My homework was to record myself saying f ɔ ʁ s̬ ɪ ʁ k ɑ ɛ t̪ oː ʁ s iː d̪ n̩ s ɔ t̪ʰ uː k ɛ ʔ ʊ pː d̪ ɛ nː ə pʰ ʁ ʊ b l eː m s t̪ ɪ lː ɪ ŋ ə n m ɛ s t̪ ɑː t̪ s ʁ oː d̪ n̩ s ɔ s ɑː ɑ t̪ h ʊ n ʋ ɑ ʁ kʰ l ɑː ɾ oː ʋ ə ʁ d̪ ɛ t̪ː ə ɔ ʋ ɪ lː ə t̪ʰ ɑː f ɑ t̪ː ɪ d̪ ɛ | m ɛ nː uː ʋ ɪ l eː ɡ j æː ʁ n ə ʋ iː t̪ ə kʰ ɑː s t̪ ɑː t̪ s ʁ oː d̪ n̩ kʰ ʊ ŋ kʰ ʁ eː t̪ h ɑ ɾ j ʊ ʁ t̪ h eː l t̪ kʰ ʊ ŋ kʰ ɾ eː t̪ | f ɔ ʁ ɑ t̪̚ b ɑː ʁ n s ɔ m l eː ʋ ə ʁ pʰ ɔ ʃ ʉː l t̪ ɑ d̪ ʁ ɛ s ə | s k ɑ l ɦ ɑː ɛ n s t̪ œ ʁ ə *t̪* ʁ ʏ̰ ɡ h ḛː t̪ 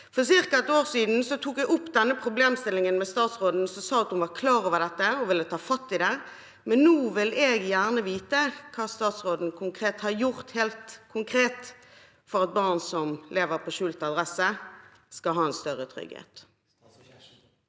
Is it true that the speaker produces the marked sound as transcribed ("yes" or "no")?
no